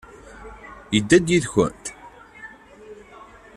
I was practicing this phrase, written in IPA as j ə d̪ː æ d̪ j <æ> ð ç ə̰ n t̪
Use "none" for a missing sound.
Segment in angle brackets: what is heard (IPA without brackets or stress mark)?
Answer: i